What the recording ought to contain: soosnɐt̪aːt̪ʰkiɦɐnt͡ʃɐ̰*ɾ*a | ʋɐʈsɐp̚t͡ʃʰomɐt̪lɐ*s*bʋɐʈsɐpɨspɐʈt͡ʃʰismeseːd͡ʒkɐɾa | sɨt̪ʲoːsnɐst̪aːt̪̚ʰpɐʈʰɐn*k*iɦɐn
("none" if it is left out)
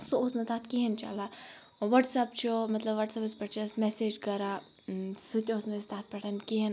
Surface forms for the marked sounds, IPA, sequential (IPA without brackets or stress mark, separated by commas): l, none, k